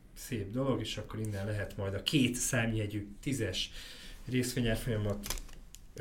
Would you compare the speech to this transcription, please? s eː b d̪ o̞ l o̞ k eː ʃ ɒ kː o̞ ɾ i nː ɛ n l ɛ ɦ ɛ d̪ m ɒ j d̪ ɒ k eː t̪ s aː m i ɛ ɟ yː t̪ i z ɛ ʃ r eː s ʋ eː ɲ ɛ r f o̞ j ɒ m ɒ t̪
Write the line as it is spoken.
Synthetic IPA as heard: s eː b d̪ o̞ l o̞ ɡ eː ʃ ɒ kː o̞ ɾ i nː ɛ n l ɛ ɦ ɛ t̪ m ɒ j d̪ ɒ k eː t̪ s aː m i ɛ ɟ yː t̪ i z ɛ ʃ r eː s ʋ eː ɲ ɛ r f o̞ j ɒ m ɒ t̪